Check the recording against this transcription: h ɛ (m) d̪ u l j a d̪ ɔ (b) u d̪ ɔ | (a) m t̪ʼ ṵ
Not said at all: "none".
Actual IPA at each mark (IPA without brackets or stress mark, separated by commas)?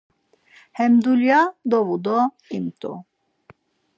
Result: m, v, i